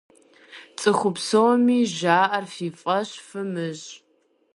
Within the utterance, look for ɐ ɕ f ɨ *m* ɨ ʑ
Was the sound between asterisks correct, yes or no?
yes